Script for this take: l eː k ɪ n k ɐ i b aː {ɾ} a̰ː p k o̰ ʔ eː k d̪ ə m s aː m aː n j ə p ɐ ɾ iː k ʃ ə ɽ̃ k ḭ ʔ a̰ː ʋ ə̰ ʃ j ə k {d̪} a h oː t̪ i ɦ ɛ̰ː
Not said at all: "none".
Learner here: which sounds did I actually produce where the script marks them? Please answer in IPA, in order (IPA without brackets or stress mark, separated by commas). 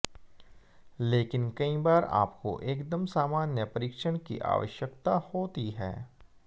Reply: ɾ, t̪